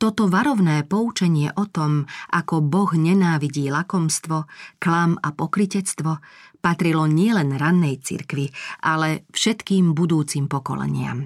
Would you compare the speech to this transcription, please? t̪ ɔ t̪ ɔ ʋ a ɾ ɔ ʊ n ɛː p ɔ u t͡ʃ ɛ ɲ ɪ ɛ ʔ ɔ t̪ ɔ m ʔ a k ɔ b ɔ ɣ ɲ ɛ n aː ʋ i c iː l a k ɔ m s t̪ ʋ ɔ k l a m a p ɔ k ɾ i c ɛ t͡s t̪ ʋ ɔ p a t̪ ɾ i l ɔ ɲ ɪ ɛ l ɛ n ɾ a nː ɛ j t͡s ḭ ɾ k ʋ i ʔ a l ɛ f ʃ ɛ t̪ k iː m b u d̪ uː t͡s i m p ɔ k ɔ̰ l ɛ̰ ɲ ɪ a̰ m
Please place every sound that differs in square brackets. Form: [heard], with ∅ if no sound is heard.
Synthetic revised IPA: t̪ ɔ t̪ ɔ ʋ a ɾ ɔ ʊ n ɛː p ɔ u t͡ʃ ɛ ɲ ɪ ɛ ʔ ɔ t̪ ɔ m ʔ a k ɔ b ɔ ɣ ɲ ɛ n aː ʋ i [ɟ] iː l a k ɔ m s t̪ ʋ ɔ k l a m a p ɔ k ɾ i c ɛ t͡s t̪ ʋ ɔ p a t̪ ɾ i l ɔ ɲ ɪ ɛ l ɛ n ɾ a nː ɛ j t͡s ḭ ɾ k ʋ i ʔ a l ɛ f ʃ ɛ t̪ k iː m b u d̪ uː t͡s i m p ɔ k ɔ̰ l ɛ̰ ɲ ɪ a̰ m